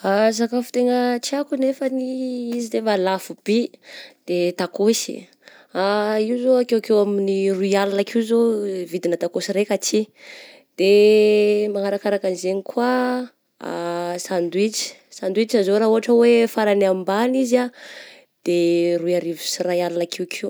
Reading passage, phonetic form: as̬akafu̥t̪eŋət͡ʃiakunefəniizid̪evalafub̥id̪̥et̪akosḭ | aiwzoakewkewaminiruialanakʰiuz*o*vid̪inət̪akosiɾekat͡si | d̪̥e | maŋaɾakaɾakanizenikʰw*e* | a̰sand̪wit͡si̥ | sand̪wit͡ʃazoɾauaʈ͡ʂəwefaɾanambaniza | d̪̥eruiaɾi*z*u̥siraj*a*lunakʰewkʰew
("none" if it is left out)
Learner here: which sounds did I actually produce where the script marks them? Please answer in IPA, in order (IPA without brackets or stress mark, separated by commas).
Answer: o, a, v, a